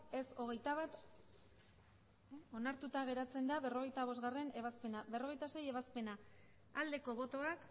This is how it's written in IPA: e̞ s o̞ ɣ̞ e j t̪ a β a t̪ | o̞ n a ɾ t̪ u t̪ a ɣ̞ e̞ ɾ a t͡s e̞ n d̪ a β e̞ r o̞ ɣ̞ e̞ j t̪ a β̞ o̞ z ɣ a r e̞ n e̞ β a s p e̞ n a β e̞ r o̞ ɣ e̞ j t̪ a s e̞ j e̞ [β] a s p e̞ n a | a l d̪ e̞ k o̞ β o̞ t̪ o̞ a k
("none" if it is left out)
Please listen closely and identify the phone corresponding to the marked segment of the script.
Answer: β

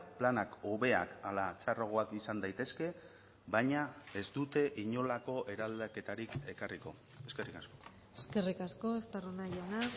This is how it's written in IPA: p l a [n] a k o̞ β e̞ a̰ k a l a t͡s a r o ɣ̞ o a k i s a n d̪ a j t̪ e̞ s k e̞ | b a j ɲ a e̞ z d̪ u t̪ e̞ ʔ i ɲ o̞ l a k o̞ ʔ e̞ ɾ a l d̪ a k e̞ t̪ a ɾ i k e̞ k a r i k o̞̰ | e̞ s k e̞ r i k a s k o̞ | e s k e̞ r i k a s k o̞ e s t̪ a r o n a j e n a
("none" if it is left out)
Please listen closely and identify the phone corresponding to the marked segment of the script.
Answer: n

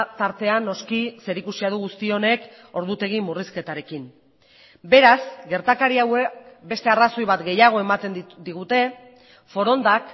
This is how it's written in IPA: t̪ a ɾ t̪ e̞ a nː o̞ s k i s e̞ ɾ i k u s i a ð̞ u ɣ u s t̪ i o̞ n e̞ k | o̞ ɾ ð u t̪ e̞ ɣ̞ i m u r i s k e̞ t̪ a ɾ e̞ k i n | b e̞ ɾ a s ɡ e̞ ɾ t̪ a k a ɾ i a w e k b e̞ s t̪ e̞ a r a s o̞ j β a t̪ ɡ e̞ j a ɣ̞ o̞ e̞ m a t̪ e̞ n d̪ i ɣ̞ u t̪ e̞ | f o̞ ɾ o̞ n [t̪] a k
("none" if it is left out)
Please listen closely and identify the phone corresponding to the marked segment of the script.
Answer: d̪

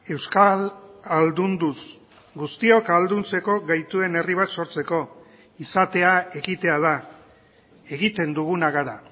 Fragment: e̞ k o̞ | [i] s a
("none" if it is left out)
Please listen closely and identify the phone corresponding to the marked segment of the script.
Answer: i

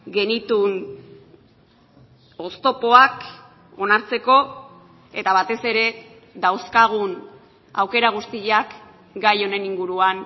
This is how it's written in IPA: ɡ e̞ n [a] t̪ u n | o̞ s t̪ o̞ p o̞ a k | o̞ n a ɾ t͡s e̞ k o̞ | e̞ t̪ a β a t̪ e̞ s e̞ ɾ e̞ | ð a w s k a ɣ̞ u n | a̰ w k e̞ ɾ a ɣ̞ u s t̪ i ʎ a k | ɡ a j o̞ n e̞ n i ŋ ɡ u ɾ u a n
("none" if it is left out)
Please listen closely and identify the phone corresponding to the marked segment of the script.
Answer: i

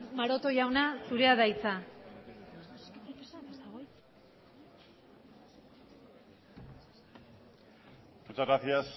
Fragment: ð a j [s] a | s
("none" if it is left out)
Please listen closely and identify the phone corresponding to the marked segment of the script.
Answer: t͡s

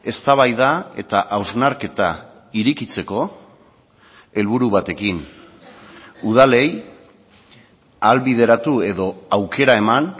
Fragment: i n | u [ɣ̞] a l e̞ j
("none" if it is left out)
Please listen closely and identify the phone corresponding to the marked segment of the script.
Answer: ð̞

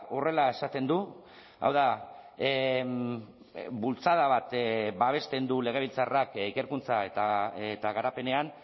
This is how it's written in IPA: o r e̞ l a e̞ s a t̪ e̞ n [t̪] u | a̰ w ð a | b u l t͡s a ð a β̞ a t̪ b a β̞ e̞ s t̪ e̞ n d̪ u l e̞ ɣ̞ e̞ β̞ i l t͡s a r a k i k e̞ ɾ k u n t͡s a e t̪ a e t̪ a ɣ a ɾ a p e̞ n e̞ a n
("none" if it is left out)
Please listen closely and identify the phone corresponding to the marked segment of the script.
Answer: d̪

